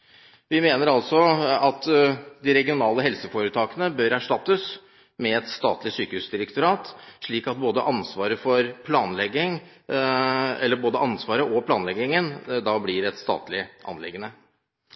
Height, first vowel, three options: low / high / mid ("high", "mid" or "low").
high